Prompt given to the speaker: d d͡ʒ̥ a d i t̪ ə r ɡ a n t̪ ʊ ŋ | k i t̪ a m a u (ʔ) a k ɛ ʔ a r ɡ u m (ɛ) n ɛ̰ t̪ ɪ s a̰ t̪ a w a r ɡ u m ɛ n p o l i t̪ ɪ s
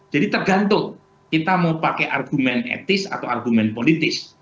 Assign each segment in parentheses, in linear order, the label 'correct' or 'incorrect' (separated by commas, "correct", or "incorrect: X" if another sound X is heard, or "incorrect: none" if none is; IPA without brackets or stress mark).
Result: incorrect: p, correct